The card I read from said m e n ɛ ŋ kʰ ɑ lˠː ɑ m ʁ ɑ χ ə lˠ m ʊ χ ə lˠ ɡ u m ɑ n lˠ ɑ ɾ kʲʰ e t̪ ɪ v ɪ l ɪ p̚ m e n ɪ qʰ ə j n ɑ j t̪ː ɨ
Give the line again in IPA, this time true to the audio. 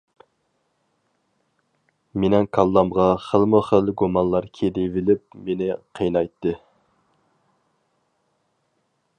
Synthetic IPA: m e n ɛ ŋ kʰ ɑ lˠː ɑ m ʁ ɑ χ ə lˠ m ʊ χ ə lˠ ɡ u m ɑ n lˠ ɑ ɾ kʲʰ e d̪ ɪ v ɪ l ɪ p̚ m e n ɪ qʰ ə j n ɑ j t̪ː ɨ